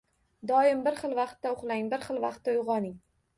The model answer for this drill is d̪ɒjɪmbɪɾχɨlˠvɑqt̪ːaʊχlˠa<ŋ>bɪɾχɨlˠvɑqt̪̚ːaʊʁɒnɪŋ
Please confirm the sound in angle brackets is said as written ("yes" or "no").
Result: yes